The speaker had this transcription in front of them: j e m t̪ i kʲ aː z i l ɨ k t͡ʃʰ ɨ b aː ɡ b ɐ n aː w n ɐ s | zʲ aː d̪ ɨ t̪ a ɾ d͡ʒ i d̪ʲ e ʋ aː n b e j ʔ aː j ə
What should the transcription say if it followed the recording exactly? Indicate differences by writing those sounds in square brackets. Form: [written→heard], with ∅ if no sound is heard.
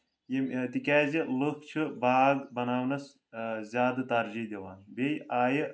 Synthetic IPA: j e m t̪ i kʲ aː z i l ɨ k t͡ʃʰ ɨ b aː ɡ b ɐ n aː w n ɐ s | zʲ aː d̪ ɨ t̪ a ɾ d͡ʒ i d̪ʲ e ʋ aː n b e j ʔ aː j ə